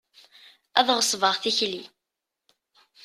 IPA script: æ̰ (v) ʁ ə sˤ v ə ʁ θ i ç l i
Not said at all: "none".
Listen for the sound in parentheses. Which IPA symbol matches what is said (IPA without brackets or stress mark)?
ð